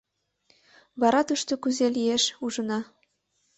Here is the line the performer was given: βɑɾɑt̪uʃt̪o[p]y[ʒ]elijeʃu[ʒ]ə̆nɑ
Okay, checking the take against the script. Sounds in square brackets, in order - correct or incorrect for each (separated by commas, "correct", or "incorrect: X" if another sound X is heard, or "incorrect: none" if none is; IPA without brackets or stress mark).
incorrect: k, incorrect: z, correct